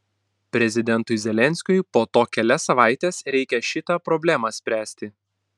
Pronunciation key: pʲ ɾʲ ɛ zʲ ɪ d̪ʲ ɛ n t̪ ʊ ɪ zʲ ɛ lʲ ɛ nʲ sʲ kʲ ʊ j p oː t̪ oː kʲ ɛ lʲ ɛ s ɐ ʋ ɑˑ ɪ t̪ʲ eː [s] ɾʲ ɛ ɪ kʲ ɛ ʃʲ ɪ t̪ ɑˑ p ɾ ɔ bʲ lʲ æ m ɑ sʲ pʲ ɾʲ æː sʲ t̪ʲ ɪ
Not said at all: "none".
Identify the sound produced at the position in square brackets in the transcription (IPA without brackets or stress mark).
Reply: s